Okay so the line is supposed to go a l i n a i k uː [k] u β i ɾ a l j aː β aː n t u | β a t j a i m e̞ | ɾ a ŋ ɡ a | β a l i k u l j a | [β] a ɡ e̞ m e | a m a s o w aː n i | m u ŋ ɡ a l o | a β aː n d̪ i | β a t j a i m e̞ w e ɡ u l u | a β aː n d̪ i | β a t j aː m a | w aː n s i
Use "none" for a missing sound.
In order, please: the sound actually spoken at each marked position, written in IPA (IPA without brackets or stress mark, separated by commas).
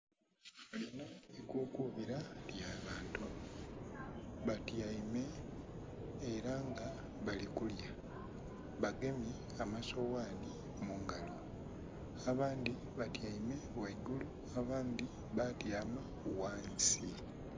k, β